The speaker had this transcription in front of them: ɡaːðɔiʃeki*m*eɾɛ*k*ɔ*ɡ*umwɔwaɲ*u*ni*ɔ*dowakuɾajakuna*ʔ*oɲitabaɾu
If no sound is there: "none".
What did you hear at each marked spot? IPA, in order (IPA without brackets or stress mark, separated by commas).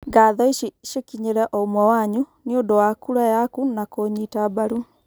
ɲ, ʔ, none, u, o, k